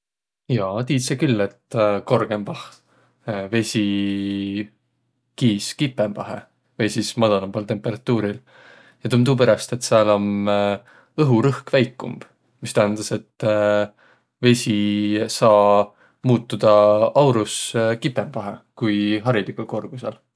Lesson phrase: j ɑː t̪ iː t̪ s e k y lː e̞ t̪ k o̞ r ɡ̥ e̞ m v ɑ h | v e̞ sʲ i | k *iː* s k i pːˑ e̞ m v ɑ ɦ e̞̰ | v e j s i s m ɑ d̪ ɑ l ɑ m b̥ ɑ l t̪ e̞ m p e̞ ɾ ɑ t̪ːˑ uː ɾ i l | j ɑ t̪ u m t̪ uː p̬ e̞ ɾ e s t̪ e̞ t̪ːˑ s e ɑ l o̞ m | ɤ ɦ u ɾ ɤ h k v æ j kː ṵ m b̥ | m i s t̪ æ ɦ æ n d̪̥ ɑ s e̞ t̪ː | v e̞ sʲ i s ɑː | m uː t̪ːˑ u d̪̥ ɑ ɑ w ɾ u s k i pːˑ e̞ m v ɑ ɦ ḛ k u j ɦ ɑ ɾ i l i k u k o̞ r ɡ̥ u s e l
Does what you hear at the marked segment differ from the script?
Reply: no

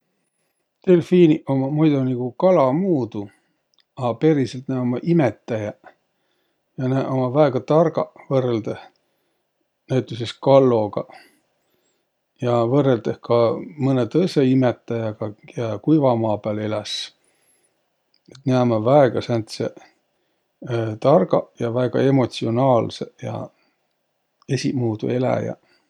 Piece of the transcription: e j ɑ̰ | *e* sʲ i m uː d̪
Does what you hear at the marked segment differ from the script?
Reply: no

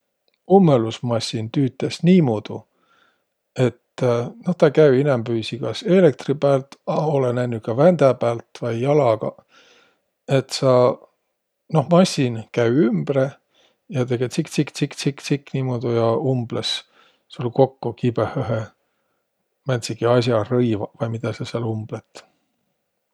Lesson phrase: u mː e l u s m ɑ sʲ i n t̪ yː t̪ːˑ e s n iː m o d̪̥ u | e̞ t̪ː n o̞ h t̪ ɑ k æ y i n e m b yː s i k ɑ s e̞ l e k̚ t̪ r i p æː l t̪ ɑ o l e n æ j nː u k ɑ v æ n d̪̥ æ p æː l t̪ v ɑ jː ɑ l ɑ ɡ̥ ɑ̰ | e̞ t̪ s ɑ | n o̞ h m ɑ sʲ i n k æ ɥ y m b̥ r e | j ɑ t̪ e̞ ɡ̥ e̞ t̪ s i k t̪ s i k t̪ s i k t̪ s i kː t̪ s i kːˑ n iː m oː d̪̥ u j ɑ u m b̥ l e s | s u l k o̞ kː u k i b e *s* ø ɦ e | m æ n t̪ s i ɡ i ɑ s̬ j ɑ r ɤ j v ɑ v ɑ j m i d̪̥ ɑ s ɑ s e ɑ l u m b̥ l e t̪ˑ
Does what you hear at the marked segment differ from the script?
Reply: yes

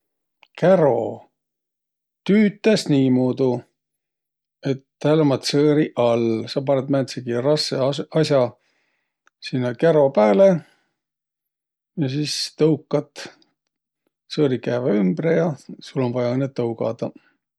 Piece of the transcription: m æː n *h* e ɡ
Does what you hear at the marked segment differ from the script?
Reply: yes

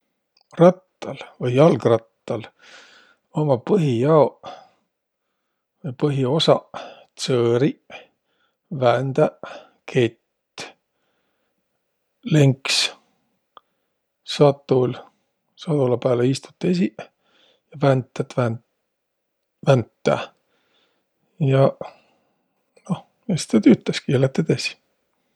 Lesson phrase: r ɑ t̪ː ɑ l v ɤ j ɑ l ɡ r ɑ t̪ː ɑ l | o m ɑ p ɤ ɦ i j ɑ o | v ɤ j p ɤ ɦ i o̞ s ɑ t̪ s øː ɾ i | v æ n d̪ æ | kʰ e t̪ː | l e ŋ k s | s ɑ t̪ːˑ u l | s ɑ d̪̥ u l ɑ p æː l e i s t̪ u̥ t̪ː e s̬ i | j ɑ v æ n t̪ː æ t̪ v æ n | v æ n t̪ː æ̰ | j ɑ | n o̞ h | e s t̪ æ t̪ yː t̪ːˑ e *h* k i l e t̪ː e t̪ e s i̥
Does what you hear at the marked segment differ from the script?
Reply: yes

